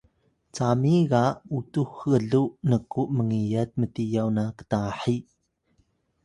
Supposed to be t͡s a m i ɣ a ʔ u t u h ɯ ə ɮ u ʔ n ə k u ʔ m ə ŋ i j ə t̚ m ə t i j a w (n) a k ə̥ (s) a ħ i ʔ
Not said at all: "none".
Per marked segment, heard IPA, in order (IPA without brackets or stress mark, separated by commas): n, t